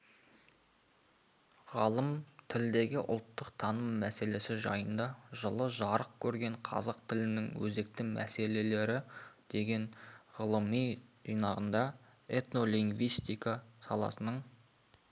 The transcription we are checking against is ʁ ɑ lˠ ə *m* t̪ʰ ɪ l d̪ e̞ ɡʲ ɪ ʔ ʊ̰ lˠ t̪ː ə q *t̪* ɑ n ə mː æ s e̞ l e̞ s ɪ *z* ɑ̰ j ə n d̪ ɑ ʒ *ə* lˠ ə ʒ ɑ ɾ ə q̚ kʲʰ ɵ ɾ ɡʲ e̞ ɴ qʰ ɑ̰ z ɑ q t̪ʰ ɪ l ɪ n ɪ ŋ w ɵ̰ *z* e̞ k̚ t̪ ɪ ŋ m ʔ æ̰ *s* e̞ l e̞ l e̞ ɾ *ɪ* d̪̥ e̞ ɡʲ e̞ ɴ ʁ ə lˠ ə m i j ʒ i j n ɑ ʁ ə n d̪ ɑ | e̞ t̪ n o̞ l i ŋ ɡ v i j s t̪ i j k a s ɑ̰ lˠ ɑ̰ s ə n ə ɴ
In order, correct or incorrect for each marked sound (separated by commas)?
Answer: correct, incorrect, incorrect, correct, correct, correct, correct